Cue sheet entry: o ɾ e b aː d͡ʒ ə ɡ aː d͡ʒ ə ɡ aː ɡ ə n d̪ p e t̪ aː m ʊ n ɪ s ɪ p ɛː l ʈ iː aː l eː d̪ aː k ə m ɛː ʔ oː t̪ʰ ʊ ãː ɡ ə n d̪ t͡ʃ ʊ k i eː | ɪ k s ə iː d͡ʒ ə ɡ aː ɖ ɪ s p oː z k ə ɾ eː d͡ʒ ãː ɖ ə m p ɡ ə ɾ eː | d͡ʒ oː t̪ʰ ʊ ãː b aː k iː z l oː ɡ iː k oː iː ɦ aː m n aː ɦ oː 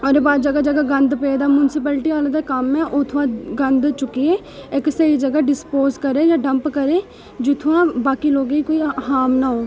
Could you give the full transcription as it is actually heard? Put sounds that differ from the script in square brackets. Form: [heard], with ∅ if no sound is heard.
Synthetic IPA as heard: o ɾ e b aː d͡ʒ ə ɡ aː d͡ʒ ə ɡ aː ɡ ə n d̪ p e [d̪] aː m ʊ n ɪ s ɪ p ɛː l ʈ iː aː l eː d̪ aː k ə m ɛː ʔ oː t̪ʰ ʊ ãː ɡ ə n d̪ t͡ʃ ʊ k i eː | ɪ k s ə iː d͡ʒ ə ɡ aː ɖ ɪ s p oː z k ə ɾ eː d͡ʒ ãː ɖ ə m p [k] ə ɾ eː | d͡ʒ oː t̪ʰ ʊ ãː b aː k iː [∅] l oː ɡ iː k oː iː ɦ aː m n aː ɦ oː